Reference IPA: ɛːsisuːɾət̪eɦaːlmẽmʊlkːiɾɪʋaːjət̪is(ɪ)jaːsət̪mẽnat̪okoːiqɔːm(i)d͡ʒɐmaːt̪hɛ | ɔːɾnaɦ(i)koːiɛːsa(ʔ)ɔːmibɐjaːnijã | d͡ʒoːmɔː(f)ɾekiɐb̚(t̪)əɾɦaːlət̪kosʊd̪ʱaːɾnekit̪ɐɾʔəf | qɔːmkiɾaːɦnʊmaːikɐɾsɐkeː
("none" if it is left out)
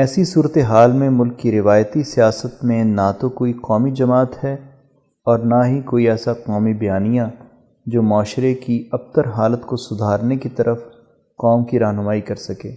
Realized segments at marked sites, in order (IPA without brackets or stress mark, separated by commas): i, i, i, q, ʃ, t̪